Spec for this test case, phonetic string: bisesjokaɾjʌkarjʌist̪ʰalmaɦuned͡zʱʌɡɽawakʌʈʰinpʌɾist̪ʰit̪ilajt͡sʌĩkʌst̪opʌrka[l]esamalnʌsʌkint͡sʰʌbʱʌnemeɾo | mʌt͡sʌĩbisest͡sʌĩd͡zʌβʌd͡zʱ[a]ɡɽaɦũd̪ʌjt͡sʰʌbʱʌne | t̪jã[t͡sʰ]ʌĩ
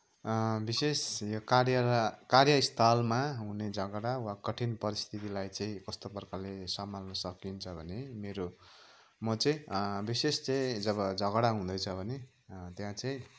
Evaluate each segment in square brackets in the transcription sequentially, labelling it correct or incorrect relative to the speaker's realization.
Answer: correct, incorrect: ʌ, incorrect: t͡s

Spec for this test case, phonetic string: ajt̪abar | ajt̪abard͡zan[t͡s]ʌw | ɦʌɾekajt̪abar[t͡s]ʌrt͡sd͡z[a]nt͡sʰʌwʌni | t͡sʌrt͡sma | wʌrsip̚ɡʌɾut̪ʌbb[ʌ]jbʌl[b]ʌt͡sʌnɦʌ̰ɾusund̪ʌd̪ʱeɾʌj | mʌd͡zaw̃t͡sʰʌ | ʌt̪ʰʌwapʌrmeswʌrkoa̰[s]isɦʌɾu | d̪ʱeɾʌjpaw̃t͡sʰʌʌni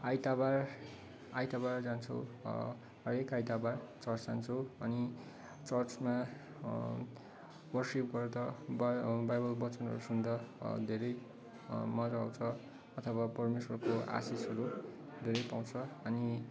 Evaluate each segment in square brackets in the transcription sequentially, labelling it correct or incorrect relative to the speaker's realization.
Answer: incorrect: t͡sʰ, correct, correct, incorrect: a, correct, correct

